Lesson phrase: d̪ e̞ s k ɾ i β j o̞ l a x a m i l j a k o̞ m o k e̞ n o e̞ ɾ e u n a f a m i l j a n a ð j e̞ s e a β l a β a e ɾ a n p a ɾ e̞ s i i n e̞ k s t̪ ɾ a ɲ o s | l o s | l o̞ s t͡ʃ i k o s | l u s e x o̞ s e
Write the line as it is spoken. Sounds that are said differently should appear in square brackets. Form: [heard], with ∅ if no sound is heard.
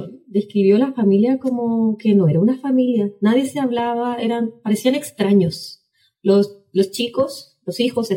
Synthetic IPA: d̪ e̞ s k ɾ i β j o̞ l a [f] a m i l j a k o̞ m o k e̞ n o e̞ ɾ [a] u n a f a m i l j a n a ð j e̞ s e a β l a β a e ɾ a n p a ɾ e̞ s i [a] n e̞ k s t̪ ɾ a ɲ o s | l o s | l o̞ s t͡ʃ i k o s | l [o] s [i] x o̞ s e